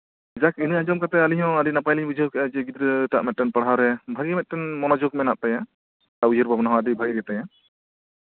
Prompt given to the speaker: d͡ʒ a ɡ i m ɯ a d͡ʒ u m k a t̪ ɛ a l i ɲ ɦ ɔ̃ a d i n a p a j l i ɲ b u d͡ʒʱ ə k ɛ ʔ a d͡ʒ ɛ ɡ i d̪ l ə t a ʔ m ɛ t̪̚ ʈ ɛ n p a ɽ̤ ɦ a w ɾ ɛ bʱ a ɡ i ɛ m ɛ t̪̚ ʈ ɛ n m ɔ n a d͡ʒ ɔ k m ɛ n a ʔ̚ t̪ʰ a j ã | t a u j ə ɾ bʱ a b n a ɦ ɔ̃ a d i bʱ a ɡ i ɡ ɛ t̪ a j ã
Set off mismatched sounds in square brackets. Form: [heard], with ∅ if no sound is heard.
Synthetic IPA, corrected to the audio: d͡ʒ a [k] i [n] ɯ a d͡ʒ [ɔ] m k a t̪ ɛ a l i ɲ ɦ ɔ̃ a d i n a p a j l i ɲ b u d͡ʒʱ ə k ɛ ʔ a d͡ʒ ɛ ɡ i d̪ [ɾ] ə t a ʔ m ɛ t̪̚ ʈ ɛ n p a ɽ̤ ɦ a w ɾ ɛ bʱ a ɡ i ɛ m ɛ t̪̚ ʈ ɛ n m ɔ n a d͡ʒ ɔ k m ɛ n a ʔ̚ [t̪] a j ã | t a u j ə ɾ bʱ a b n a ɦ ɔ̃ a d i bʱ a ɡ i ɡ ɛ t̪ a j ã